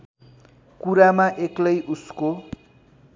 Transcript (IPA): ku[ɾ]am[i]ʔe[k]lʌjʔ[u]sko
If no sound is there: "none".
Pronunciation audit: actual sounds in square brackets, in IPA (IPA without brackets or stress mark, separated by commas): ɾ, a, k, u